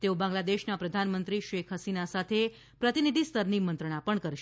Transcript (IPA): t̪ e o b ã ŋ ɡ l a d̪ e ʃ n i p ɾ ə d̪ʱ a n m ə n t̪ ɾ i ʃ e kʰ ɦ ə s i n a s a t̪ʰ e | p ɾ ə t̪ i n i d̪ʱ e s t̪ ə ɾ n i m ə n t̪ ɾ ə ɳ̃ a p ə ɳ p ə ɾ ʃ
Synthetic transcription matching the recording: t̪ e o b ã ŋ ɡ l a d̪ e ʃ n a p ɾ ə d̪ʱ a n m ə n t̪ ɾ i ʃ e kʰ ɦ ə s i n a s a t̪ʰ e | p ɾ ə t̪ i n i d̪ʱ i s t̪ ə ɾ n i m ə n t̪ ɾ ə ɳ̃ a p ə ɳ k ə ɾ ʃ